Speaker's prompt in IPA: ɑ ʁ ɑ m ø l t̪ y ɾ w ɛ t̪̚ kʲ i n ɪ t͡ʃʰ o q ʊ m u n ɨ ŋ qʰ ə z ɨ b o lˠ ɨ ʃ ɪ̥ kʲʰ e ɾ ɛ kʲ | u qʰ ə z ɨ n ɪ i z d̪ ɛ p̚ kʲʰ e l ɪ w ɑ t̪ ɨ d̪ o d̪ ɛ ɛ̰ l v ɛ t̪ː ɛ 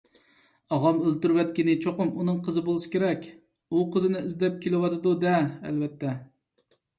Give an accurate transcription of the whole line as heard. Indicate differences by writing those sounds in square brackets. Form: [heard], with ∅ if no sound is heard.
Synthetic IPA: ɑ ʁ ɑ m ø l t̪ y ɾ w ɛ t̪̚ kʲ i n ɪ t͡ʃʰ o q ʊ m u n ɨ ŋ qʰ ə z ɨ b o lˠ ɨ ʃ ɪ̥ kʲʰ e ɾ ɛ kʲ | u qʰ ə z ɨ n ɪ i z d̪ ɛ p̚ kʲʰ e l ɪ w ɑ t̪ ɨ d̪ [u] d̪ ɛ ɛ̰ l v ɛ t̪ː ɛ